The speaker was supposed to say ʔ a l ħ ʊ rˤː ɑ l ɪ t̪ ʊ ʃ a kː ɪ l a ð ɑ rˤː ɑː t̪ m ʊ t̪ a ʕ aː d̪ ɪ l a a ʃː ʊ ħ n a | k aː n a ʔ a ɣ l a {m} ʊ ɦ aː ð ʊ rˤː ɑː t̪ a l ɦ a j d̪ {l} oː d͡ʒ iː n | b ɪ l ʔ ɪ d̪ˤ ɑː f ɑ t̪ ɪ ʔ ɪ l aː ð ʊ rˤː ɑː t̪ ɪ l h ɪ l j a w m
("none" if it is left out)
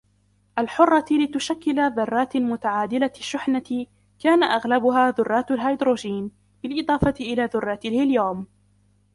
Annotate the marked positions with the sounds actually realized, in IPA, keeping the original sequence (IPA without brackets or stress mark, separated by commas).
b, ɾ